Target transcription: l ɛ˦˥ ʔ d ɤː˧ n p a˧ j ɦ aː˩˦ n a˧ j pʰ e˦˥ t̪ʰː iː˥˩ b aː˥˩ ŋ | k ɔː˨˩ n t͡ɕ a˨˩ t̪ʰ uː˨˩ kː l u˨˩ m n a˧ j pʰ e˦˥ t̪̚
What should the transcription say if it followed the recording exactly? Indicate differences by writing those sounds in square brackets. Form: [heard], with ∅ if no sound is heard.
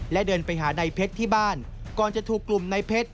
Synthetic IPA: l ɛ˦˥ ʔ d ɤː˧ n p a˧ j ɦ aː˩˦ n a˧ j pʰ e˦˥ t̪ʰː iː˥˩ b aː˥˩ [n] | k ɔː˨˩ n t͡ɕ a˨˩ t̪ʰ uː˨˩ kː l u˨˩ m n a˧ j pʰ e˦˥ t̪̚